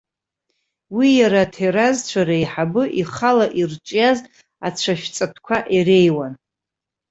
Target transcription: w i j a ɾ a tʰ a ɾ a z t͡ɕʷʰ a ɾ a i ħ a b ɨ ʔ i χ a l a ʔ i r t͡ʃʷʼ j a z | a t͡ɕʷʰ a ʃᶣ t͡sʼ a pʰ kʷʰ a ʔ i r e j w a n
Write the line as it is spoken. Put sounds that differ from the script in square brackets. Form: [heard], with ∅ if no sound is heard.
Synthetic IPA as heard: w i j a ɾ a tʰ [e] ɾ a z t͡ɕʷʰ a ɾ a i ħ a b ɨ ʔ i χ a l a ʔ i r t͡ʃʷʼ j a z | a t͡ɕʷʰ a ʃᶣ t͡sʼ a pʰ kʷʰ a ʔ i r e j w a n